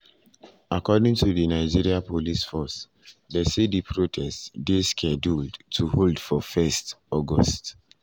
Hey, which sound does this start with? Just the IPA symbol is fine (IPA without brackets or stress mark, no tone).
a